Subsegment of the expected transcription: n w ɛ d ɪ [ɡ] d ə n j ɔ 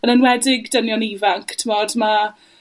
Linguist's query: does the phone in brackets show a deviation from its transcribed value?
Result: no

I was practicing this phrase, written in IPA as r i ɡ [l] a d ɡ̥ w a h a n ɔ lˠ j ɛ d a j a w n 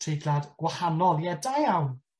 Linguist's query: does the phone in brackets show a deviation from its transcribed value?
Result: no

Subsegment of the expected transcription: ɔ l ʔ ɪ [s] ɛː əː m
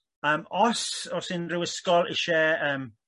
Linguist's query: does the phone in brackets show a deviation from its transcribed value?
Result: yes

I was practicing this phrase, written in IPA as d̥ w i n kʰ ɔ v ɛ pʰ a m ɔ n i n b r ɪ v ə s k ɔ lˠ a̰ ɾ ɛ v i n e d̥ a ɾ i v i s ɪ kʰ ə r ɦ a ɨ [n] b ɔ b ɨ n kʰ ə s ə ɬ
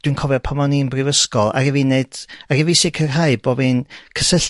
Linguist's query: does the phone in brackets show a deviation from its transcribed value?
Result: yes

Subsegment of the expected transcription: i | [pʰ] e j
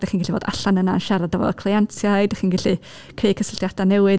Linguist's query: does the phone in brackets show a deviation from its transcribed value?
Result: yes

